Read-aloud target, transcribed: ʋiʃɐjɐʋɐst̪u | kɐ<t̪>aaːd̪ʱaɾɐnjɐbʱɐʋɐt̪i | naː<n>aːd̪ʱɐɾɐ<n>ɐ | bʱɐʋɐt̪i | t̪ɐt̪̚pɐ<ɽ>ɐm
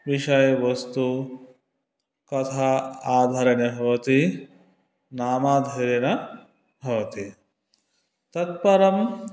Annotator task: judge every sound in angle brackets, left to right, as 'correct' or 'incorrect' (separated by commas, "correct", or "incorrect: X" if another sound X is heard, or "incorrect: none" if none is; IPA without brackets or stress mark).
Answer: incorrect: t̪ʰ, incorrect: m, correct, incorrect: ɾ